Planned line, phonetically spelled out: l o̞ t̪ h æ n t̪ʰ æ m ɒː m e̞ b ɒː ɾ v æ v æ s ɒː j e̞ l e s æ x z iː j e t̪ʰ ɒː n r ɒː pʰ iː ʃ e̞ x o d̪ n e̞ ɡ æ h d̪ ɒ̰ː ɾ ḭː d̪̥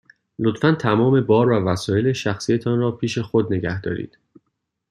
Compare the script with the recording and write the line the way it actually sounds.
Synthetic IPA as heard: l o̞ t̪ f æ n t̪ʰ æ m ɒː m e̞ b ɒː ɾ v æ v æ s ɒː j e̞ l e ʃ æ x s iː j e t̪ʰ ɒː n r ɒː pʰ iː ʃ e̞ x o d̪ n e̞ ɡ æ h d̪ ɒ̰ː ɾ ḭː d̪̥